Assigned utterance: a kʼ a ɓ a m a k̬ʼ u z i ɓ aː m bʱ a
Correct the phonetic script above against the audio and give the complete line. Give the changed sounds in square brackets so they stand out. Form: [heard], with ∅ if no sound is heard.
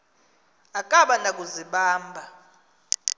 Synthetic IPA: a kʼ a ɓ a [n] a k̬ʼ u z i ɓ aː m bʱ a